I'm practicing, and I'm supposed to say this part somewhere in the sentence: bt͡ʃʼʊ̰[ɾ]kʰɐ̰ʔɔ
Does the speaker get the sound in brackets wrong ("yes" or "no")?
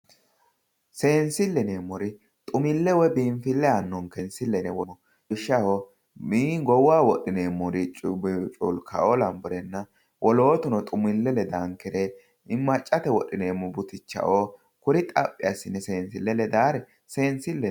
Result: yes